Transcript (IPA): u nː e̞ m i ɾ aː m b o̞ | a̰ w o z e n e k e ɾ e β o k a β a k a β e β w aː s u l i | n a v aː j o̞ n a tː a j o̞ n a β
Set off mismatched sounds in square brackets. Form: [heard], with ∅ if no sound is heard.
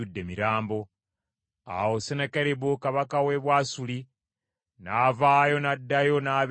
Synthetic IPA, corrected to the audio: u [dː] e̞ m i ɾ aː m b o̞ | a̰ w o [s] e n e k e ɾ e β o k a β a k a [w] e β w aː s u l i | n a v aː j o̞ n a [dː] a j o̞ n a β